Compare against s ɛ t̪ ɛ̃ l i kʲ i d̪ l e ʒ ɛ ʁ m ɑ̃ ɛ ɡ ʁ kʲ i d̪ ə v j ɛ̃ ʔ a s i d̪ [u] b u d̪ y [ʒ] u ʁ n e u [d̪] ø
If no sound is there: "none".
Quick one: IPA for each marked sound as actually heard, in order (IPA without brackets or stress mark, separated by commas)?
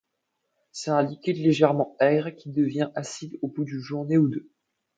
o, ʒ, d̪